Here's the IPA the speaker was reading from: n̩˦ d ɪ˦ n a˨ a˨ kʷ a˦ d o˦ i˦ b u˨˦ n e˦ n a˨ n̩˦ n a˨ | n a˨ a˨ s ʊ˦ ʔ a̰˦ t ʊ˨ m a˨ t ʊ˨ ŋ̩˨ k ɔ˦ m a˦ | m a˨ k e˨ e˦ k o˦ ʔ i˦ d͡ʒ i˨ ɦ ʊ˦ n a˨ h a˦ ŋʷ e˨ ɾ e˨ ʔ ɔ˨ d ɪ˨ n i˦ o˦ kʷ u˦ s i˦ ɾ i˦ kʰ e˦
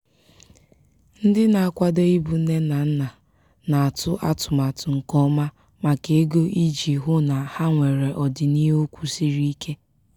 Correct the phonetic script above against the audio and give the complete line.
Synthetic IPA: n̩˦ d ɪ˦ n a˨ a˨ kʷ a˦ d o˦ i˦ b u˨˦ n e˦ n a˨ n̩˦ n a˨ | n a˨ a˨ t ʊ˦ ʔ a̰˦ t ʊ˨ m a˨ t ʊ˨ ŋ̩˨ k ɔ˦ m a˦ | m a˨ k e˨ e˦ ɡ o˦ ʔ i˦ d͡ʒ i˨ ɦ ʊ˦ n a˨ h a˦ ŋʷ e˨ ɾ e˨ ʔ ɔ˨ d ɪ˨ n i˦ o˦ kʷ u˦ s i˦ ɾ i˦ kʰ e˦

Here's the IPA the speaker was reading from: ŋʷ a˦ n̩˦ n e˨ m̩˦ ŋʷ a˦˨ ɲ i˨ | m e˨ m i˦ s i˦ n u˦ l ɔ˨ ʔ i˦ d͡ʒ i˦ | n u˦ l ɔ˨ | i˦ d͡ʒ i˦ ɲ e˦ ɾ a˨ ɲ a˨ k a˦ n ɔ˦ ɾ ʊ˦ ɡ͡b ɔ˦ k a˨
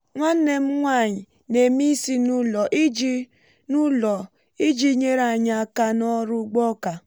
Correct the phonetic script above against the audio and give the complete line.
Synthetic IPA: ŋʷ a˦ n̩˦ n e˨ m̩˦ ŋʷ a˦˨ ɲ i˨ | n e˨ m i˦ s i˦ n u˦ l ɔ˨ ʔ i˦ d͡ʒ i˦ | n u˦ l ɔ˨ | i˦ d͡ʒ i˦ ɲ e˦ ɾ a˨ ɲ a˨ k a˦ n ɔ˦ ɾ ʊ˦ ɡ͡b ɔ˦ k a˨

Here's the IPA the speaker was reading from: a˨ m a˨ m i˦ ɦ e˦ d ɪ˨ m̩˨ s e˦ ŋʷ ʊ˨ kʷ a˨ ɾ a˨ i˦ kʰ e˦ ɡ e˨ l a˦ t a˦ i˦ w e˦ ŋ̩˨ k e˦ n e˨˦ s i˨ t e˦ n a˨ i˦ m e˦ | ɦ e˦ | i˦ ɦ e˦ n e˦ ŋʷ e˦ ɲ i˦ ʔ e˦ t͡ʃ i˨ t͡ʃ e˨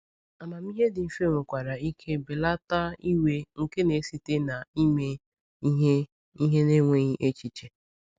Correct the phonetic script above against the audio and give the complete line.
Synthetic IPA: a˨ m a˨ m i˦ ɦ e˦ d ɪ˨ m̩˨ f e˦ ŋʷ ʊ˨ kʷ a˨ ɾ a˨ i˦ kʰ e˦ b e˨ l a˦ t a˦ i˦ w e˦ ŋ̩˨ k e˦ n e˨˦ s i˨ t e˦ n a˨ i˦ m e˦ | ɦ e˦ | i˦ ɦ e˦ n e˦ ŋʷ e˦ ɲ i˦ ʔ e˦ t͡ʃ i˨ t͡ʃ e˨

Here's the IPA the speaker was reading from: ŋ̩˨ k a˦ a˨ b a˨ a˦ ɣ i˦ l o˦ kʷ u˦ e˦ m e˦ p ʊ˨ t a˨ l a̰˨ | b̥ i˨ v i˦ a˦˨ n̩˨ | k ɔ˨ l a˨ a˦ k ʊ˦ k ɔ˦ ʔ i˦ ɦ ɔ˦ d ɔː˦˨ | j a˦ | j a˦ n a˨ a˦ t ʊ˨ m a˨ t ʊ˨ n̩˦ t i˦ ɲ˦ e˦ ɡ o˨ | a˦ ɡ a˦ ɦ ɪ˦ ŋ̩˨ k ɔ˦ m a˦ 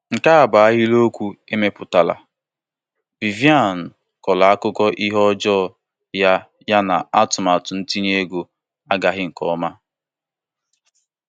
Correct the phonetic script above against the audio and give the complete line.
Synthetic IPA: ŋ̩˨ k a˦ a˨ b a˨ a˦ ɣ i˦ l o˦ kʷ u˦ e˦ m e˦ p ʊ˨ t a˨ l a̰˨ | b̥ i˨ v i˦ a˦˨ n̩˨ | k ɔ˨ l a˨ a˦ k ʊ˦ k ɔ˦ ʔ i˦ ɦ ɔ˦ d͡ʒ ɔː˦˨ | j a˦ | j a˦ n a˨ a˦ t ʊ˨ m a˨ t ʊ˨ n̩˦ t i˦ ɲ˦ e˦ ɡ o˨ | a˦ ɡ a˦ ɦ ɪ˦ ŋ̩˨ k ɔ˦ m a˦

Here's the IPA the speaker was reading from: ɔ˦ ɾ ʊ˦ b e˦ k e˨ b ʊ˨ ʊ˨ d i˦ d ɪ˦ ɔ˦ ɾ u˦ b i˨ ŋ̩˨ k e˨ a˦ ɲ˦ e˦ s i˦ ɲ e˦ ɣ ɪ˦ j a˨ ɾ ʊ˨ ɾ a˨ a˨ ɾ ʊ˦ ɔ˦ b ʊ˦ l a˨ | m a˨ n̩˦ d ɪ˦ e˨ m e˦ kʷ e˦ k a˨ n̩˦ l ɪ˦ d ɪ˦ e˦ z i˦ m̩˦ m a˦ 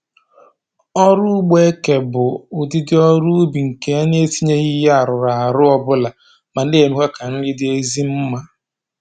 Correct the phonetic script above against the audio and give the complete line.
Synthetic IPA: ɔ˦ ɾ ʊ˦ ɡ͡b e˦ k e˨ b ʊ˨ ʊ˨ d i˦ d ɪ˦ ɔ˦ ɾ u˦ b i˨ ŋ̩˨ k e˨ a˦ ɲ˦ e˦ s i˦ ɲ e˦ ɣ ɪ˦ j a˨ ɾ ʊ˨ ɾ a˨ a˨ ɾ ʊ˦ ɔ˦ b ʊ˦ l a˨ | m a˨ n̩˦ d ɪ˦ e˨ m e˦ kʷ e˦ k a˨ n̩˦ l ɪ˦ d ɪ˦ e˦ z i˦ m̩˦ m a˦

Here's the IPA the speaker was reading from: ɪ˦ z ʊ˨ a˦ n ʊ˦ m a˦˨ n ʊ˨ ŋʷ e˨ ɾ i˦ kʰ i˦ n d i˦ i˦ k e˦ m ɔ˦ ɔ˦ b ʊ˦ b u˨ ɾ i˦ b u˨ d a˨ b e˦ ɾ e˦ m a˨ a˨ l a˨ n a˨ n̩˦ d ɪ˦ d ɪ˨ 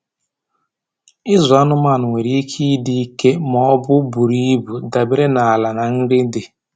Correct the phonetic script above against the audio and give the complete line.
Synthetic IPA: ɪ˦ z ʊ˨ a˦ n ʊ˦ m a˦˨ n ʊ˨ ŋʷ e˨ ɾ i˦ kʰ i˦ d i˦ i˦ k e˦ m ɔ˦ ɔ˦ b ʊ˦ b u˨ ɾ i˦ b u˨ d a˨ b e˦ ɾ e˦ n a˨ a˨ l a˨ n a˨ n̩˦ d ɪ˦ d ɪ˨

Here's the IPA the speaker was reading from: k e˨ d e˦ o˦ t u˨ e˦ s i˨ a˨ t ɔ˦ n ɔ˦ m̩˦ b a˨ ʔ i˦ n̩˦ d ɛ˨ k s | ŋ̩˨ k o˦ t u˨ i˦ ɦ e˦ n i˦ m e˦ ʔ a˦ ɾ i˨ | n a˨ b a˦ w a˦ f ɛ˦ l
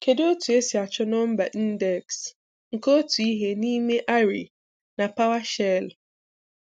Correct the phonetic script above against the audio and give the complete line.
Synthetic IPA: k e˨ d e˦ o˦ t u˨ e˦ s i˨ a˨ t͡ʃ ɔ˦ n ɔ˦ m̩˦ b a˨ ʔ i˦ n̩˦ d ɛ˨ k s | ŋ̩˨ k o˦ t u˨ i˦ ɦ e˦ n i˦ m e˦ ʔ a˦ ɾ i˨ | n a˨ p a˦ w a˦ ʃ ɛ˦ l

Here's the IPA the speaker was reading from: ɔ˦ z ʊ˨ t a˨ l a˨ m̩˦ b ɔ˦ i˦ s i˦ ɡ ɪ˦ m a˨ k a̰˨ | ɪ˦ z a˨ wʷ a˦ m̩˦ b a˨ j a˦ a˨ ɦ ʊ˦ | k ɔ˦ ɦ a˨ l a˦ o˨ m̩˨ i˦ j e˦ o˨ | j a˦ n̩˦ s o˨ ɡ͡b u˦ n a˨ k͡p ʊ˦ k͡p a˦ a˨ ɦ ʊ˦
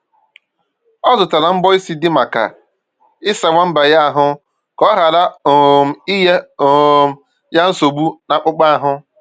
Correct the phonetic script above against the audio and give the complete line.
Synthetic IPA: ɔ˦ z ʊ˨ t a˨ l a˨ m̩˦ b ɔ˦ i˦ s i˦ d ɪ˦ m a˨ k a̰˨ | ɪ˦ s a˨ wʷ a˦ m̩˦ b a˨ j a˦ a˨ ɦ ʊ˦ | k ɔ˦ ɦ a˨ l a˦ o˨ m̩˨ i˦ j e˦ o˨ | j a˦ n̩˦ s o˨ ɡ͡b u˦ n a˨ k͡p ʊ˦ k͡p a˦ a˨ ɦ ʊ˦

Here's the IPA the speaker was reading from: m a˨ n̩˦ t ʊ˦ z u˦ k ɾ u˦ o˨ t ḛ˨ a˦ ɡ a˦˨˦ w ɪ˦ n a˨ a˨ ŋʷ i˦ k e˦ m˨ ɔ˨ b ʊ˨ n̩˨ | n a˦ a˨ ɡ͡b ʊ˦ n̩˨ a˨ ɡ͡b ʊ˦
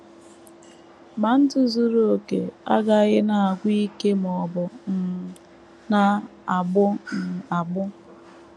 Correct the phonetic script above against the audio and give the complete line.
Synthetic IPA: m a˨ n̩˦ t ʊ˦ z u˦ ɾ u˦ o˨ k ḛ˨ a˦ ɡ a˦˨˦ ɣ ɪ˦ n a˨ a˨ ɡʷ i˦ k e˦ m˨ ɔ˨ b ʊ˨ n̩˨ | n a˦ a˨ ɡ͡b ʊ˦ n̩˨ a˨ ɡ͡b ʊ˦

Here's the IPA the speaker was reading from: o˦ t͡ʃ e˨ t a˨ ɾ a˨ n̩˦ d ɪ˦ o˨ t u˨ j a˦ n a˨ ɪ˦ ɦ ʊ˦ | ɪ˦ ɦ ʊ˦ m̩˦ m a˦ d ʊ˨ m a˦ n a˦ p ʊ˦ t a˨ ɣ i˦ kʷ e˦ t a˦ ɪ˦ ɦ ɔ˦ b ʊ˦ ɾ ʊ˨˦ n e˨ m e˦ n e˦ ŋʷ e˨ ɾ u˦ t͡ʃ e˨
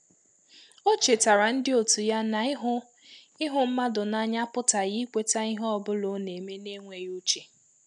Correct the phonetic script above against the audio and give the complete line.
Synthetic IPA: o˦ t͡ʃ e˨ t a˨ ɾ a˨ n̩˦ d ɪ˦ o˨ t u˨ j a˦ n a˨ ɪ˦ ɦ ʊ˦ | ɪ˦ ɦ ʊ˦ m̩˦ m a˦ d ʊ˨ n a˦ ɲ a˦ p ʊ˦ t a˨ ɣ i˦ kʷ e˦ t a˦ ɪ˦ ɦ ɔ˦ b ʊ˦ l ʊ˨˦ n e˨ m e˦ n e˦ ŋʷ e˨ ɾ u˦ t͡ʃ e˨

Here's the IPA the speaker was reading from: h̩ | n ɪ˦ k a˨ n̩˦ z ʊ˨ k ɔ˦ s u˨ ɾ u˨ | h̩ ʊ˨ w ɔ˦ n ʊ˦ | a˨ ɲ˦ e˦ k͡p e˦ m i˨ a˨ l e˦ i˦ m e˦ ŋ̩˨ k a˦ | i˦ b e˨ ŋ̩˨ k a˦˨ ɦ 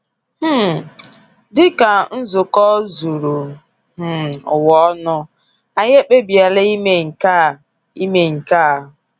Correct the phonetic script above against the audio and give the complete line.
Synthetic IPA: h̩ | d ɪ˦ k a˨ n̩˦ z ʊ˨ k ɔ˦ z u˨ ɾ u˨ | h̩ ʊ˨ w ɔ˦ n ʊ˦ | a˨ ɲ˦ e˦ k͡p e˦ b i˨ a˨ l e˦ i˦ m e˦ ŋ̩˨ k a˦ | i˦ m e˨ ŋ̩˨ k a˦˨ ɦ

